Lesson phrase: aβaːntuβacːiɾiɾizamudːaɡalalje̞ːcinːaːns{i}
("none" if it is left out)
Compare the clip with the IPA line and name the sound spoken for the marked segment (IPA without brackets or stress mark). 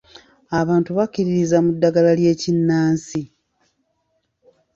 i